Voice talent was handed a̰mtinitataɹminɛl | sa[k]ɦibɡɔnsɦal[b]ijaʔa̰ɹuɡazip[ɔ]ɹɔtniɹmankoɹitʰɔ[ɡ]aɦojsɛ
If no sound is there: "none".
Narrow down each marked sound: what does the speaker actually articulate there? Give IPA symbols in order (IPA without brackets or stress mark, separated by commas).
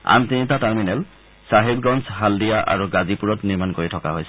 none, d, u, k